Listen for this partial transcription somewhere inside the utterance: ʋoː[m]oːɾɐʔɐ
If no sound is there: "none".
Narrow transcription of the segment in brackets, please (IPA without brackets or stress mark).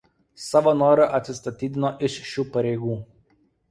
n